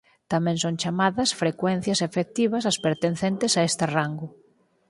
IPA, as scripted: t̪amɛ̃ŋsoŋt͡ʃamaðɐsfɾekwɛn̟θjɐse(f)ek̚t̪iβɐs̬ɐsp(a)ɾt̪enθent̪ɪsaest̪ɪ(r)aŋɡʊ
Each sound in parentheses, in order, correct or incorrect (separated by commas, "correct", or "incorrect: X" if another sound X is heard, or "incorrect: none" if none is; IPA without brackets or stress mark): correct, incorrect: e, correct